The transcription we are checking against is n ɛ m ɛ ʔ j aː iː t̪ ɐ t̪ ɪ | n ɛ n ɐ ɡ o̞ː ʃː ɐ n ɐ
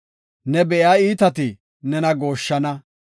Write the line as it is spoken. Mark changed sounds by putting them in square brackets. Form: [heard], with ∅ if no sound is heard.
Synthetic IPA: n ɛ [b] ɛ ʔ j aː iː t̪ ɐ t̪ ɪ | n ɛ n ɐ ɡ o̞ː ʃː ɐ n ɐ